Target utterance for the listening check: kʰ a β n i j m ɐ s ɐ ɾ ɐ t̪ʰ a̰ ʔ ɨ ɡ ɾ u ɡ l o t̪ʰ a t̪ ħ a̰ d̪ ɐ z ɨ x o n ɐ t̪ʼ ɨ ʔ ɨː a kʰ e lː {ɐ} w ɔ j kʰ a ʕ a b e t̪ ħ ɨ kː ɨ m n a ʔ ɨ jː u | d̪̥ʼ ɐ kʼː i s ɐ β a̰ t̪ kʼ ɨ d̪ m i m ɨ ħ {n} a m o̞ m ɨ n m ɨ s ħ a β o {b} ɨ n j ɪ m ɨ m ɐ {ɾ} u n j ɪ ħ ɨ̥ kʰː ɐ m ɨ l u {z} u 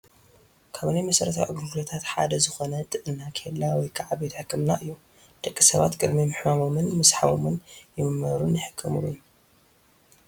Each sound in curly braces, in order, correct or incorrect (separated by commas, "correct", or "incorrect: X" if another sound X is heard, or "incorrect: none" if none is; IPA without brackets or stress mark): incorrect: a, incorrect: m, incorrect: m, correct, incorrect: none